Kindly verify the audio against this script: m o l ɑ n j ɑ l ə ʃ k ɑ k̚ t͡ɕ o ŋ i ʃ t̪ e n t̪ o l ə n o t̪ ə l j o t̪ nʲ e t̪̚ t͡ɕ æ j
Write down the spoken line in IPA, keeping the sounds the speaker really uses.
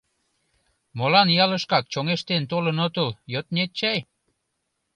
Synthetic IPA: m o l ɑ n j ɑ l ə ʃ k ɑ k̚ t͡ɕ o ŋ e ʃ t̪ e n t̪ o l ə n o t̪ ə l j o t̪ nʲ e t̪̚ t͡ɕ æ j